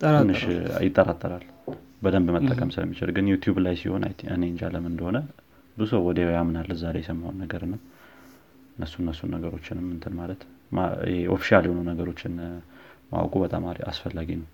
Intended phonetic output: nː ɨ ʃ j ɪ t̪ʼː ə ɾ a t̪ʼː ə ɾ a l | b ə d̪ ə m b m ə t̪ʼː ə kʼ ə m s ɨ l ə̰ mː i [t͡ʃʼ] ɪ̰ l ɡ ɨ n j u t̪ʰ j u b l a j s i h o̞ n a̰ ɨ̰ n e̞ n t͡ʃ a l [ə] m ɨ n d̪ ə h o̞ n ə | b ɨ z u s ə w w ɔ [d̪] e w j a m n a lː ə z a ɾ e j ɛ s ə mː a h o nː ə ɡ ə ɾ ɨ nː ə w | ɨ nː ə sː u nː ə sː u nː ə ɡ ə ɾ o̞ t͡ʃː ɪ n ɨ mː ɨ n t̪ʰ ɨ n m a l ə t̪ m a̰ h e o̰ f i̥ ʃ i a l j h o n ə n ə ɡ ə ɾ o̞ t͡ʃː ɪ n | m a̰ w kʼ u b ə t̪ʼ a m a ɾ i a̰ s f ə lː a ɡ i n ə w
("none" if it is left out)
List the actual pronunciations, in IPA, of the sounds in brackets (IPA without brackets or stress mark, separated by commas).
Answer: t͡ʃ, ə, d̪